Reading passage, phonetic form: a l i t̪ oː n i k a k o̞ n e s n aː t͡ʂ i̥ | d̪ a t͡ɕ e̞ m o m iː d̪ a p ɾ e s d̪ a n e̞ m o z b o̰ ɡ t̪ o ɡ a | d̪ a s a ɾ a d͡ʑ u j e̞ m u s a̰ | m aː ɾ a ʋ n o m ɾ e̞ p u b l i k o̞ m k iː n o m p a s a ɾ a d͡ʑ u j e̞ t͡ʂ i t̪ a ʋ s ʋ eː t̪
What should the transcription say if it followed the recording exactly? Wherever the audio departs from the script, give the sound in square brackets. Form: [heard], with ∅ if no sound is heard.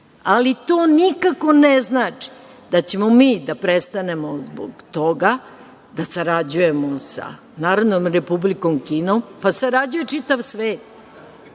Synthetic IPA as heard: a l i t̪ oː n i k a k o̞ n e [z] n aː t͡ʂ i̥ | d̪ a t͡ɕ e̞ m o m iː d̪ a p ɾ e s [t̪] a n e̞ m o z b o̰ ɡ t̪ o ɡ a | d̪ a s a ɾ a d͡ʑ u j e̞ m [o] s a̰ | [n] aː ɾ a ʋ n o m ɾ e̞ p u b l i k o̞ m k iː n o m p a s a ɾ a d͡ʑ u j e̞ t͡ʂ i t̪ a ʋ s ʋ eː t̪

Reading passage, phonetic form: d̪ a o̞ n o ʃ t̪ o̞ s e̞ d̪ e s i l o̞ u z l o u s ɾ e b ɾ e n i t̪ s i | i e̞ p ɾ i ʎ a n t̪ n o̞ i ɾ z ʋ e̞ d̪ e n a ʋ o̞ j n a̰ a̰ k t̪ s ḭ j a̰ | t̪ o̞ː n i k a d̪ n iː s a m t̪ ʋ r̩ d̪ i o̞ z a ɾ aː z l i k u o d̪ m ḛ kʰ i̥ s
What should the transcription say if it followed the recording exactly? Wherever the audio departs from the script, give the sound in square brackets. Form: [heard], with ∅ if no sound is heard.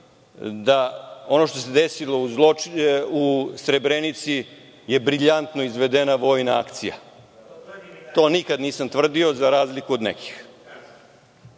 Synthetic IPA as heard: d̪ a o̞ n o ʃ t̪ o̞ s e̞ d̪ e s i l o̞ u z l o u s ɾ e b ɾ e n i t̪ s i | [j] e̞ [b] ɾ i ʎ a n t̪ n o̞ i [∅] z ʋ e̞ d̪ e n a ʋ o̞ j n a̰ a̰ k t̪ s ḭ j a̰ | t̪ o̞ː n i k a d̪ n iː s a m t̪ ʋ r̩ d̪ i o̞ z a ɾ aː z l i k u o d̪ [n] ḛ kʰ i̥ [x]

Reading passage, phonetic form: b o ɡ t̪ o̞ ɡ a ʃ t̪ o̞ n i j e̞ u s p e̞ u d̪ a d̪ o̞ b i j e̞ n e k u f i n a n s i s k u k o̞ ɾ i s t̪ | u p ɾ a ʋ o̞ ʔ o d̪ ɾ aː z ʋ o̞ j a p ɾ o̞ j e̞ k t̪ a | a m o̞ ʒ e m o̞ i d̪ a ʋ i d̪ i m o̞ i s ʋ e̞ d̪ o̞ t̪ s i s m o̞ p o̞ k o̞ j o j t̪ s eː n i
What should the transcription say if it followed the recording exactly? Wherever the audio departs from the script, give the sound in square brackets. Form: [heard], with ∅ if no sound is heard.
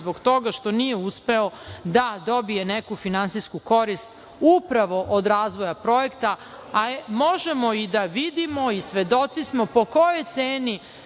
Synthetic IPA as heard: b o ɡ t̪ o̞ ɡ a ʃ t̪ o̞ n i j e̞ u s p e̞ [o] d̪ a d̪ o̞ b i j e̞ n e k u f i n a n s i s k u k o̞ ɾ i s t̪ | u p ɾ a ʋ o̞ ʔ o d̪ ɾ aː z ʋ o̞ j a p ɾ o̞ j e̞ k t̪ a | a m o̞ ʒ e m o̞ i d̪ a ʋ i d̪ i m o̞ i s ʋ e̞ d̪ o̞ t̪ s i s m o̞ p o̞ k o̞ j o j t̪ s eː n i

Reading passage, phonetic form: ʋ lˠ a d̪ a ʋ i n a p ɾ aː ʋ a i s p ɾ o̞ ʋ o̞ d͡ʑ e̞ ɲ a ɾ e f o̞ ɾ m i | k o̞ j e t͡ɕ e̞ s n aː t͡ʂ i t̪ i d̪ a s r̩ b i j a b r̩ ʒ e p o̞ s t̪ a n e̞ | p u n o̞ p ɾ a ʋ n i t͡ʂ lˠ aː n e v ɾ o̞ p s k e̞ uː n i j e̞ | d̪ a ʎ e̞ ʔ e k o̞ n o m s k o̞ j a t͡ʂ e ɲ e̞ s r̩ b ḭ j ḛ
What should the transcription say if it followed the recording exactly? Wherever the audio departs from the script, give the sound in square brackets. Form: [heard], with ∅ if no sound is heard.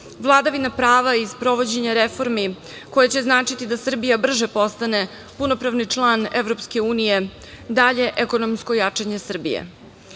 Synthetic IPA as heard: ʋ lˠ a d̪ a ʋ i n a p ɾ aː ʋ a i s p ɾ o̞ ʋ o̞ d͡ʑ e̞ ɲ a ɾ e f o̞ ɾ m i | k o̞ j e t͡ɕ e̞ [z] n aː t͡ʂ i t̪ i d̪ a s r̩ b i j a b r̩ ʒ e p o̞ s t̪ a n e̞ | p u n o̞ p ɾ a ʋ n i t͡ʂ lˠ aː n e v ɾ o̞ p s k e̞ uː n i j e̞ | d̪ a ʎ e̞ ʔ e k o̞ n o m s k o̞ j a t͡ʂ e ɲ e̞ s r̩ b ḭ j ḛ

